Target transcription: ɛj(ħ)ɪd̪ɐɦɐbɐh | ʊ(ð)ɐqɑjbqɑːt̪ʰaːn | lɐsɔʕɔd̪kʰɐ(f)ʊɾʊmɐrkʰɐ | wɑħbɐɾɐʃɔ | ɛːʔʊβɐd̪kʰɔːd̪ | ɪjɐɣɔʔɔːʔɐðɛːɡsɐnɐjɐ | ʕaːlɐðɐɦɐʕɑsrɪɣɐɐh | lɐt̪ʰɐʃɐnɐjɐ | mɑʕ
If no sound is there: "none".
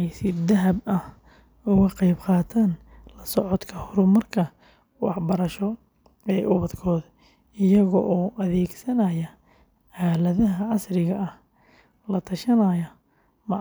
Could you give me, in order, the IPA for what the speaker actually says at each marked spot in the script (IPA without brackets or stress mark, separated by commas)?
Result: s, ɣ, h